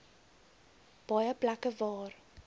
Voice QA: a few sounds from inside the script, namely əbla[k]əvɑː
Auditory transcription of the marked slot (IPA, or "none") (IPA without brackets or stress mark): k